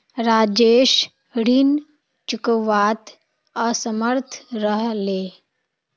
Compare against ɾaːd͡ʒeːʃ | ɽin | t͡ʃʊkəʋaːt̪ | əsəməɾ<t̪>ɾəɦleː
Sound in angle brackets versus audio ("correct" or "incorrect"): incorrect